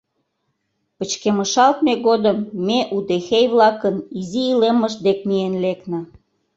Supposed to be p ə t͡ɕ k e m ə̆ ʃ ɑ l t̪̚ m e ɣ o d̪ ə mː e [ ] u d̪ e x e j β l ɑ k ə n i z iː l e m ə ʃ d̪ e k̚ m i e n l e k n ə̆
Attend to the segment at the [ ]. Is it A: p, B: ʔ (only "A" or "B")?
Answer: B